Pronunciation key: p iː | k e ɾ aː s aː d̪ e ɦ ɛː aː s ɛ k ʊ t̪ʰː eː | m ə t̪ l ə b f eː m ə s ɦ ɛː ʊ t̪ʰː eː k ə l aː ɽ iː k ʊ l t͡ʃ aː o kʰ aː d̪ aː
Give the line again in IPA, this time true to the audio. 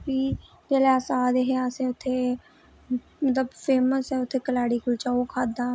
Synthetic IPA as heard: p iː | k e l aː s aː d̪ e ɦ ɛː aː s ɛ ʊ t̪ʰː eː | m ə t̪ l ə b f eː m ə s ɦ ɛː ʊ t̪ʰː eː k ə l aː ɽ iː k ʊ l t͡ʃ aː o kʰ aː d̪ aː